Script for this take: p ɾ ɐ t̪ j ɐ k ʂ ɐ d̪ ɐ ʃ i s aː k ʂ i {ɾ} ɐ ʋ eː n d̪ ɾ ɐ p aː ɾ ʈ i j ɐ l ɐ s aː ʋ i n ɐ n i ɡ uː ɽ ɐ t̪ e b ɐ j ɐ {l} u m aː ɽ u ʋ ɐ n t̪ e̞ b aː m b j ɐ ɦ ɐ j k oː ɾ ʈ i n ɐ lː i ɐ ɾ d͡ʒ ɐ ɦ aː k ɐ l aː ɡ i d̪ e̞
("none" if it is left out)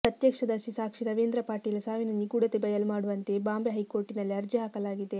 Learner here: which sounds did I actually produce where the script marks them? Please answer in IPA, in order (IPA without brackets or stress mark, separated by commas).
ɾ, l